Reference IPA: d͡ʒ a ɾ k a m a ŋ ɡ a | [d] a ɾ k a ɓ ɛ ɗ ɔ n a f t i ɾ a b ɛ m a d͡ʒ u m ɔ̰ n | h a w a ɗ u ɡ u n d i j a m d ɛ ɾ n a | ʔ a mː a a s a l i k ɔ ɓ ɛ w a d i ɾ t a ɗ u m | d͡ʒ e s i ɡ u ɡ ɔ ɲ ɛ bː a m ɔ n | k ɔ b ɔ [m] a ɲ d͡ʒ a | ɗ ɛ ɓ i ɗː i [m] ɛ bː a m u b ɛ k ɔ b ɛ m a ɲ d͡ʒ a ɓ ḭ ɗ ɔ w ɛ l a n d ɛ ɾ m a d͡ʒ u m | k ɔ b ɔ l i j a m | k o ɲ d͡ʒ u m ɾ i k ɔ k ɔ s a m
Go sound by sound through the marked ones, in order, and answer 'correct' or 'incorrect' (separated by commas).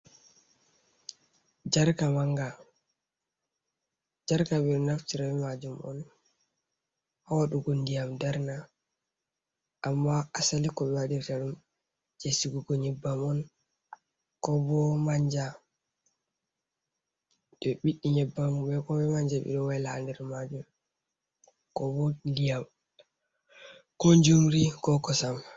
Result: incorrect, correct, incorrect